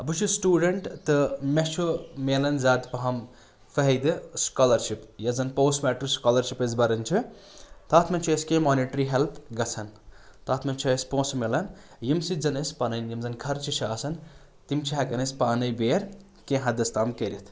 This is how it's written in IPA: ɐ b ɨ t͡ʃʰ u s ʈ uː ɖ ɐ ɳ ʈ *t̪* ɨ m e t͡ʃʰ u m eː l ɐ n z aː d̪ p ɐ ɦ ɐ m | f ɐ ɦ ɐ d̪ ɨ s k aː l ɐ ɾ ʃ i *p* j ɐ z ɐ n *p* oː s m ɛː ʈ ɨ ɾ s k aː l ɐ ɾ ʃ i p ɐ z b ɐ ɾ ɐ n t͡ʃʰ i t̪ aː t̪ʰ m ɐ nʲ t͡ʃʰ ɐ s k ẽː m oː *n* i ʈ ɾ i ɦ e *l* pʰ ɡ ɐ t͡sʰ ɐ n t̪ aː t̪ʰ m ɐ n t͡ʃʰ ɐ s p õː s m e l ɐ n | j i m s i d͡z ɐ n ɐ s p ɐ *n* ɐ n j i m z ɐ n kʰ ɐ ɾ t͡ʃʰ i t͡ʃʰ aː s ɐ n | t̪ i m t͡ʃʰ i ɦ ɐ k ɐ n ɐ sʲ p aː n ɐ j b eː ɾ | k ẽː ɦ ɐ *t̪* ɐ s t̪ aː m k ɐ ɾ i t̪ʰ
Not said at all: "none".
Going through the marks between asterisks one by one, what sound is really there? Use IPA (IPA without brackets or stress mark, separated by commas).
t̪, p, p, n, l, n, d̪